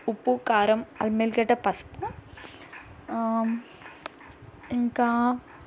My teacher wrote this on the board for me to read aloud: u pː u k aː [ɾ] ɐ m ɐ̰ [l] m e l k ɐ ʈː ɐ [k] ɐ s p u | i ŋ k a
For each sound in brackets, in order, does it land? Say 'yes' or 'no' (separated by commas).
yes, yes, no